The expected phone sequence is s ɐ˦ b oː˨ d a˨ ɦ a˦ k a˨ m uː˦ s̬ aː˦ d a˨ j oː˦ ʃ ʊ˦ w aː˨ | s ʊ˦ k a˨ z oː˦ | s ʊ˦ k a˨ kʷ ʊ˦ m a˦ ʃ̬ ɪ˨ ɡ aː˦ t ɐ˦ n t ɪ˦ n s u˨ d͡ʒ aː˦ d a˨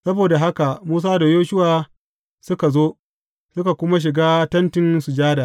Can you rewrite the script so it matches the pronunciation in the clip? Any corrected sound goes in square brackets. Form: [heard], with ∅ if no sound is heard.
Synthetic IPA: s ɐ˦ b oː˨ d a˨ ɦ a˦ k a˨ m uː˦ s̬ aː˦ d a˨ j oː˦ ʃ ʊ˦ w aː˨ | s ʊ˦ k a˨ z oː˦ | s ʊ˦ k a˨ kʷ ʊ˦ m a˦ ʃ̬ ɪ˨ ɡ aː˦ t ɐ˦ n t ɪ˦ n s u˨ d͡ʒ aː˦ d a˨